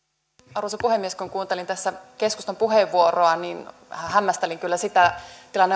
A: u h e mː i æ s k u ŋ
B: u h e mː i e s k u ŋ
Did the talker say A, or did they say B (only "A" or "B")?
B